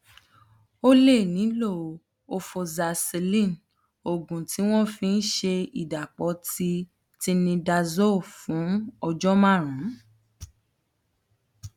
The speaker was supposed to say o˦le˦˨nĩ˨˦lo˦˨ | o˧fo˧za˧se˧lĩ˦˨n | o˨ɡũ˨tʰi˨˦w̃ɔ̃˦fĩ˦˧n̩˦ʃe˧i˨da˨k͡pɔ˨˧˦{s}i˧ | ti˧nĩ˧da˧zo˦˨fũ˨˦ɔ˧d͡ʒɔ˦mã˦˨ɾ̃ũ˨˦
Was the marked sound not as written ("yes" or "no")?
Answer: yes